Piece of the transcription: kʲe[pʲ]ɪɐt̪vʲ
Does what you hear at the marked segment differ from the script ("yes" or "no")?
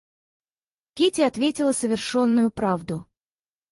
yes